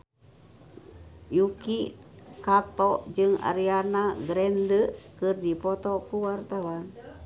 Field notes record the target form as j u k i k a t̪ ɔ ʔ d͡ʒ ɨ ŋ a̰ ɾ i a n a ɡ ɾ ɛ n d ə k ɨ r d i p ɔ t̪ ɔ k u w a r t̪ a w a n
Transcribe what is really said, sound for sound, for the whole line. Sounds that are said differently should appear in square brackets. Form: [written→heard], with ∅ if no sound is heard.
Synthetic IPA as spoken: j u k i k a t̪ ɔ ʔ d͡ʒ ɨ ŋ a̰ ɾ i a n a ɡ ɾ ɛ n d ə k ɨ r d i p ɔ t̪ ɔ k u w a r t̪ a w a n